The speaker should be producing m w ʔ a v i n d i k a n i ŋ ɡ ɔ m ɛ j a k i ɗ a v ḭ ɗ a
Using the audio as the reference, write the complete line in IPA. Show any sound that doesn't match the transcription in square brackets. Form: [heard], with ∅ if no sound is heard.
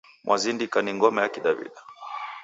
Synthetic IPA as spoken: m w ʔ a [z] i n d i k a n i ŋ ɡ ɔ m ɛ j a k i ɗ a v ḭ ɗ a